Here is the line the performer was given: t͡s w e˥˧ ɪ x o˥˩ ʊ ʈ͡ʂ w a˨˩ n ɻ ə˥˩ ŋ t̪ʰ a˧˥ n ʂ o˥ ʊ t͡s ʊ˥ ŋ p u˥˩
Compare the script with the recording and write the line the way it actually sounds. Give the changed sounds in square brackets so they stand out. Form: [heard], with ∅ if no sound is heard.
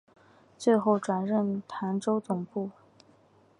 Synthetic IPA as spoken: t͡s w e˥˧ ɪ x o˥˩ ʊ ʈ͡ʂ w a˨˩ n ɻ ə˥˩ [n] t̪ʰ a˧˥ n [ʈ͡ʂ] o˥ ʊ t͡s [ʊ˨˩] ŋ p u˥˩